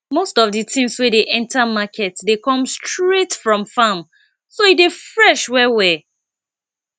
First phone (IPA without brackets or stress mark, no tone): m